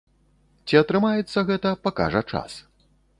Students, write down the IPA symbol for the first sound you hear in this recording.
t͡sʲ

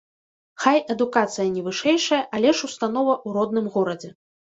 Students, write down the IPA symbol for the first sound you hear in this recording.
x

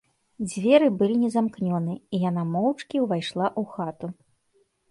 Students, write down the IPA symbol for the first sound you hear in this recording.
d͡zʲ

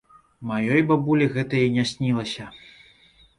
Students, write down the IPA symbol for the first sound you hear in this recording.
m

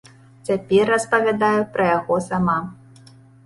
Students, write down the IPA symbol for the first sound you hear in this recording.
t͡sʲ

